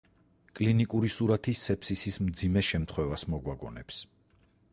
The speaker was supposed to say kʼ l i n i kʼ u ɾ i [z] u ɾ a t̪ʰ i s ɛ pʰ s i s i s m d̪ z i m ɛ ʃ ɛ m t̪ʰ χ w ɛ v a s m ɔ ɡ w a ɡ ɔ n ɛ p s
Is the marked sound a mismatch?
yes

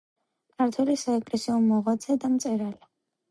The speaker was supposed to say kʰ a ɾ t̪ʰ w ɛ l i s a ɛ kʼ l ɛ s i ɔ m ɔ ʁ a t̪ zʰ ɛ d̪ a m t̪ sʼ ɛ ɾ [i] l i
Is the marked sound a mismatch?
yes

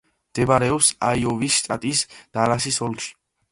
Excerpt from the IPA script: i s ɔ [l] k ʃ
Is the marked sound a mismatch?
no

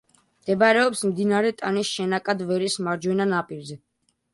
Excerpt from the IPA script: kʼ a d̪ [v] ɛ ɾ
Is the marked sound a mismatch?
no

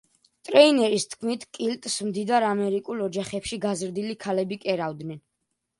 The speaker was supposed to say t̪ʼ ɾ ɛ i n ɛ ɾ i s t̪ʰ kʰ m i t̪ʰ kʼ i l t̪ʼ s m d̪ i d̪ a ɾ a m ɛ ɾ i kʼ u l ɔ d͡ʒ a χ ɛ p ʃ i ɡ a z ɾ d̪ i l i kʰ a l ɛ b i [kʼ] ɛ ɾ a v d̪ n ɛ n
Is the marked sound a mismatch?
no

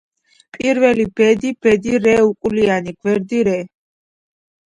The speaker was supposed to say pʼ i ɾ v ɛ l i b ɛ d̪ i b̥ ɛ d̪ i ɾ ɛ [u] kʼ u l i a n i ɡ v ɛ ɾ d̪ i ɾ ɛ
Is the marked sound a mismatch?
no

